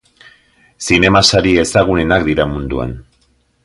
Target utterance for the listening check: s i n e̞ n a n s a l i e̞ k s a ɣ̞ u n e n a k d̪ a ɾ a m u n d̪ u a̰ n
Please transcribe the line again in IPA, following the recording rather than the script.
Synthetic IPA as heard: s i n e̞ m a s a ɾ i e̞ s a ɣ̞ u n e n a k d̪ i ɾ a m u n d̪ u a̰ n